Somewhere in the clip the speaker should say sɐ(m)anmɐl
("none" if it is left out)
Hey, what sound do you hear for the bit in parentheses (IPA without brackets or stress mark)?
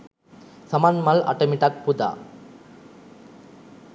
m